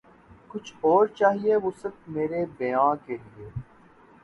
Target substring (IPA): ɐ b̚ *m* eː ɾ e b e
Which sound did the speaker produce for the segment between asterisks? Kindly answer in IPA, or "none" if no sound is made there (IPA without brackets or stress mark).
m